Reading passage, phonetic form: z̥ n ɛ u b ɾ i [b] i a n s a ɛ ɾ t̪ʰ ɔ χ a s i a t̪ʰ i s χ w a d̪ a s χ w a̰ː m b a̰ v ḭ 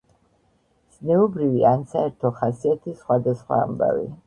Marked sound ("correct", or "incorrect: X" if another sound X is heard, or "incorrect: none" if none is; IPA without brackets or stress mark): incorrect: v